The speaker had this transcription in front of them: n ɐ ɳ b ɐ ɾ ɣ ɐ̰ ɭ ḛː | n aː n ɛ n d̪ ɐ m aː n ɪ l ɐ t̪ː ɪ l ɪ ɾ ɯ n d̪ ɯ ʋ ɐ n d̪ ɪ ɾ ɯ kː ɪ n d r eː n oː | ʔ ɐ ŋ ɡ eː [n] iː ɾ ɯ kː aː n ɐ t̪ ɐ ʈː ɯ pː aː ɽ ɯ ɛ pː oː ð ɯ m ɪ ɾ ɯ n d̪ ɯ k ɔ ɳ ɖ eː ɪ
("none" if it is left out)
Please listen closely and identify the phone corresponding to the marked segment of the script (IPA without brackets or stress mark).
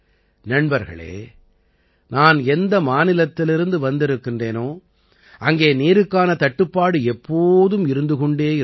n